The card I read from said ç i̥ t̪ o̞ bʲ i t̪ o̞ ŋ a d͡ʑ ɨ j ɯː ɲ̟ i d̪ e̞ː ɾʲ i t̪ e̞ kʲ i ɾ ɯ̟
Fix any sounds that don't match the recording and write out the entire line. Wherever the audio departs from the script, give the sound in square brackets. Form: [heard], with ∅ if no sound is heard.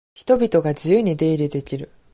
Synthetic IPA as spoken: ç i̥ t̪ o̞ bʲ i t̪ o̞ [ɡ] a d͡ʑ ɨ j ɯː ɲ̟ i d̪ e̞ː ɾʲ i [d̪] e̞ kʲ i ɾ ɯ̟